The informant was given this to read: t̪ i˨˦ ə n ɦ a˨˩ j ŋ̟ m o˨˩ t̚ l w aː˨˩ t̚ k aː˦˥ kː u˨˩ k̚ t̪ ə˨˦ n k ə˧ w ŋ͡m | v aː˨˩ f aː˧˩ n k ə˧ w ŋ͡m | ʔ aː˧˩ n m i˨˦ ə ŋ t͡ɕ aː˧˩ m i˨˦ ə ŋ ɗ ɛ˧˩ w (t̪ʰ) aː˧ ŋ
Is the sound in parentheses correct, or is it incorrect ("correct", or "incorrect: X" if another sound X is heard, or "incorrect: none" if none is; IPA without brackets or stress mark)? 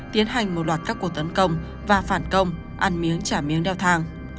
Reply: correct